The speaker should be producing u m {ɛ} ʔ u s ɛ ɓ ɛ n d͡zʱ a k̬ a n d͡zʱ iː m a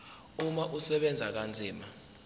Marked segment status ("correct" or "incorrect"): incorrect